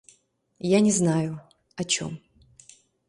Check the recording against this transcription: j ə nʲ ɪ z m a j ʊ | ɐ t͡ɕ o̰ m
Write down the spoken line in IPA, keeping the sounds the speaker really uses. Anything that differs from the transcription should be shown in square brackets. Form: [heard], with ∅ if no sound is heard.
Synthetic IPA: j [a] nʲ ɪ z [n] a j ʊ | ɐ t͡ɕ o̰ m